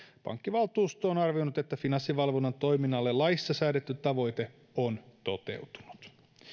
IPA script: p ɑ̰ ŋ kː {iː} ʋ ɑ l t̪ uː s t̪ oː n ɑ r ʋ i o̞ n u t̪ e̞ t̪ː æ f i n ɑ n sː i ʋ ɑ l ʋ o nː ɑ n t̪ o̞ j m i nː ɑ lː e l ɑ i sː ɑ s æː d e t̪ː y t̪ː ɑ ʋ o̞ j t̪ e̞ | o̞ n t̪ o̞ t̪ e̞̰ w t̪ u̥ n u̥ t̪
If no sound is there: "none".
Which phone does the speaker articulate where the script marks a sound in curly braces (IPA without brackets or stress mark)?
i